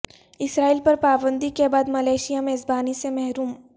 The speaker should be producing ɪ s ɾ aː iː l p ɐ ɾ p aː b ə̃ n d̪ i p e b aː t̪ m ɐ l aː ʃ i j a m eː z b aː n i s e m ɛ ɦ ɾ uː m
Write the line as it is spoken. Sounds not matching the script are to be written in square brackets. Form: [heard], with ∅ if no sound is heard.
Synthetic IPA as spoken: ɪ s ɾ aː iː l p ɐ ɾ p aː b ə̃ n d̪ i [k] e b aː [d̪] m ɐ l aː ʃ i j a m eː z b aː n i s e m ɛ ɦ ɾ uː m